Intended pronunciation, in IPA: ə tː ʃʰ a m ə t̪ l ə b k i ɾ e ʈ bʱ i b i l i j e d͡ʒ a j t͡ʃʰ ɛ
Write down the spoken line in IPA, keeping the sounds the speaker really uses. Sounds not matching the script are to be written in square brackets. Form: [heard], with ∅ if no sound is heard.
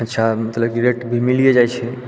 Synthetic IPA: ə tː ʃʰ a m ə t̪ l ə b k i ɾ e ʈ bʱ i [m] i l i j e d͡ʒ a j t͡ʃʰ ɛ